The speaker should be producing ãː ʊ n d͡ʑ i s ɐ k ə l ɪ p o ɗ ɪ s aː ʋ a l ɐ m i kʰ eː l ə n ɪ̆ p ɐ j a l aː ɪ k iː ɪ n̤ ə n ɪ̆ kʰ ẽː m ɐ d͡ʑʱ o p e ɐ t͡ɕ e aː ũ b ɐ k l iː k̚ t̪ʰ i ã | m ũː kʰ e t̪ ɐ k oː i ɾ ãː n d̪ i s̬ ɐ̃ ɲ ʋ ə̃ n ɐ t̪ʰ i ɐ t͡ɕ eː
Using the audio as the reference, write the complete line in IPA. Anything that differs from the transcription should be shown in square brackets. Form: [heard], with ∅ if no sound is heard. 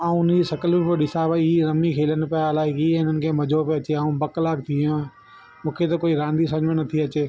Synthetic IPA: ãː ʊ n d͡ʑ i s ɐ k ə l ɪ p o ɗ ɪ s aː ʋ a [ɾ] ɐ m i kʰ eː l ə n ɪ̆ p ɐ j a l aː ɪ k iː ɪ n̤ ə n ɪ̆ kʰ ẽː m ɐ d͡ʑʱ o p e ɐ t͡ɕ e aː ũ b ɐ k l [aː] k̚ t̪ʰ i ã | m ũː kʰ e t̪ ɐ k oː i ɾ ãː n d̪ i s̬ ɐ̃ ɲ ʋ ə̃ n ɐ t̪ʰ i ɐ t͡ɕ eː